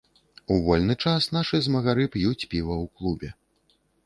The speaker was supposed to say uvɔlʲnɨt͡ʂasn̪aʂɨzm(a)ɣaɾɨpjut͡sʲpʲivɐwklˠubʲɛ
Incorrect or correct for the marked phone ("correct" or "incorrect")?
incorrect